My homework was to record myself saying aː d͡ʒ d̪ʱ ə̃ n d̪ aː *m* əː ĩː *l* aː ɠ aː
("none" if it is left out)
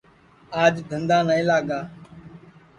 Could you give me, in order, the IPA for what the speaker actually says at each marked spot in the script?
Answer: n, l

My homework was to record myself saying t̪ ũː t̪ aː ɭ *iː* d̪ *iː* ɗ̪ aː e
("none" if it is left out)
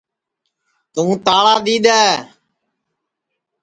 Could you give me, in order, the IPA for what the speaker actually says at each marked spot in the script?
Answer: aː, iː

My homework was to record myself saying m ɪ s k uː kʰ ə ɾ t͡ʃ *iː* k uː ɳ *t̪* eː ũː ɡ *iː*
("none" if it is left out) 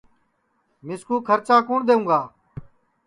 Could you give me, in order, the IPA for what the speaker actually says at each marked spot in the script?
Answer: aː, d̪, aː

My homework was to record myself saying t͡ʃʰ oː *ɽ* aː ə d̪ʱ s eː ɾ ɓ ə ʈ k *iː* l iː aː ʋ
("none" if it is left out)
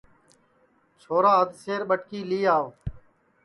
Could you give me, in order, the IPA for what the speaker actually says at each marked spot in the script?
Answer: ɾ, iː

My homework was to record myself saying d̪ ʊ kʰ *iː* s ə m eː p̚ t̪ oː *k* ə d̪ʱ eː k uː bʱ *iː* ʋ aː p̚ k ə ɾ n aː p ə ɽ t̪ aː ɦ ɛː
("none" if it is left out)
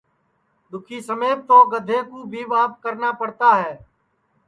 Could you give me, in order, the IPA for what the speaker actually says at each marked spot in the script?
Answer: iː, ɡ, iː

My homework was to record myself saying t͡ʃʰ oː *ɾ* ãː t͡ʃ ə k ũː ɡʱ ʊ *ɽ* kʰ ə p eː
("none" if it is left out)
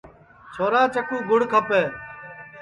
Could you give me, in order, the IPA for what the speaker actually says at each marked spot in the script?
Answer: ɾ, ɽ

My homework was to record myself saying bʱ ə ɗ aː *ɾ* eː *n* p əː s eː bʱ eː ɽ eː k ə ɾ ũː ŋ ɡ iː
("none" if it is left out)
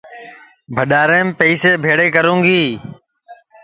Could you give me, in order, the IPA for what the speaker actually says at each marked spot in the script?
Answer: ɾ, m

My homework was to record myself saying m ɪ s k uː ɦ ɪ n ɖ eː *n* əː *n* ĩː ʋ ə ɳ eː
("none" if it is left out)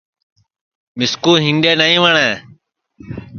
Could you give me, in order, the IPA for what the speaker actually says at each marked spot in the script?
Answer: n, none

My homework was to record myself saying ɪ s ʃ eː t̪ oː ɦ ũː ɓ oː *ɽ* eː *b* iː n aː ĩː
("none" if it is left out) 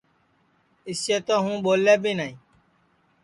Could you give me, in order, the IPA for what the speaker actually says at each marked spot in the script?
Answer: l, b

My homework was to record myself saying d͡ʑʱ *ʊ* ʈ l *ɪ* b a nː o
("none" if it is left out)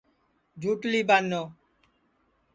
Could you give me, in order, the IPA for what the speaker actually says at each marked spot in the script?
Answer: u, i

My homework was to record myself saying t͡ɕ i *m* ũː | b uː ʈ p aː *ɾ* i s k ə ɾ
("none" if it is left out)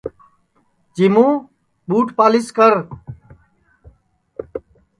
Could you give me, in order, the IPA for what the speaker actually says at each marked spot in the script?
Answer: m, l

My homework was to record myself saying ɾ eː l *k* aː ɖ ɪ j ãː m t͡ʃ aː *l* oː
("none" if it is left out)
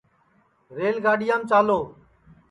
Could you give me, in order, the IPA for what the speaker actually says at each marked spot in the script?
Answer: ɡ, l

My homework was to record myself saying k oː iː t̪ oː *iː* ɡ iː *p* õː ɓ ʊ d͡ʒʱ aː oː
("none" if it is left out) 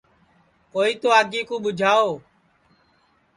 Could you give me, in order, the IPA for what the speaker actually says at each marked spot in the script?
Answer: aː, k

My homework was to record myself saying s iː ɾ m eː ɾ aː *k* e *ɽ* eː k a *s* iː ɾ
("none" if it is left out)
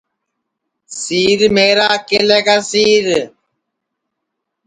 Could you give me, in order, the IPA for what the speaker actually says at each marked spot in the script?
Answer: k, l, s

